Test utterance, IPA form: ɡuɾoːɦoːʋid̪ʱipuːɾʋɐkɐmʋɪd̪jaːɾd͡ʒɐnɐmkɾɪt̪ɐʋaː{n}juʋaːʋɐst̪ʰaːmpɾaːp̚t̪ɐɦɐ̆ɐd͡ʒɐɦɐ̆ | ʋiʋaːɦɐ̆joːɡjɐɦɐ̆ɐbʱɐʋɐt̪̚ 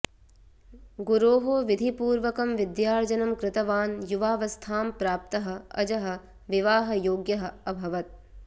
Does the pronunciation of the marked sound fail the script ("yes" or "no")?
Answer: no